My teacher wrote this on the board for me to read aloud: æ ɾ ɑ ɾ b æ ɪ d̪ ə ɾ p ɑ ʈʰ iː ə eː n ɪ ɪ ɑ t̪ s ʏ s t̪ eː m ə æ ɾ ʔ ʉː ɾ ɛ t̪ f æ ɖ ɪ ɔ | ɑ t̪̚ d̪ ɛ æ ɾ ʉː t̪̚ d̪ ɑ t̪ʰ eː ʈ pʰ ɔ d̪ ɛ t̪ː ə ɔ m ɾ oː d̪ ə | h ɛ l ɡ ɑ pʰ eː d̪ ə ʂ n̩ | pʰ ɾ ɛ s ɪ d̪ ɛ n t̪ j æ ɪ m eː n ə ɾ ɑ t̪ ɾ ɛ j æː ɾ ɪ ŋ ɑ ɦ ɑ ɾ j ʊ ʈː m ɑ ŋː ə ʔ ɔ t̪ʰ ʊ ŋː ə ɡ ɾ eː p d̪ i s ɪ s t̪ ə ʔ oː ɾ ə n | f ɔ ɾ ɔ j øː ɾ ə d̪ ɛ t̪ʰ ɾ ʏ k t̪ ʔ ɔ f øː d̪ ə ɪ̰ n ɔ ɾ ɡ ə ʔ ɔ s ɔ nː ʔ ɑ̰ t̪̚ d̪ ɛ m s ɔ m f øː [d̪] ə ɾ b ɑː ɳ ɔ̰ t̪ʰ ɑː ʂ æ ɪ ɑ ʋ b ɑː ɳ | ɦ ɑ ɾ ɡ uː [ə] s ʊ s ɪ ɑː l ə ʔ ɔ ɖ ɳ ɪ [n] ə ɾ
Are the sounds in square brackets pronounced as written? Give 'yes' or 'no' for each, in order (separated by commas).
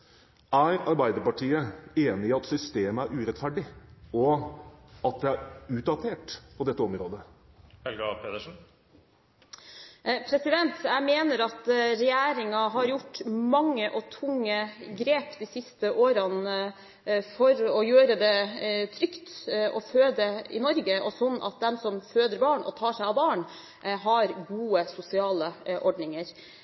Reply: yes, yes, no